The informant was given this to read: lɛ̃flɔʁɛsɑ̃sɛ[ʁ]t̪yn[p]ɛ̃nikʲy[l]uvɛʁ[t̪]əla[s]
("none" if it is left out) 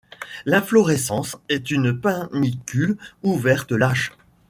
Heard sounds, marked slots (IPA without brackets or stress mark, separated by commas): none, p, l, t̪, ʃ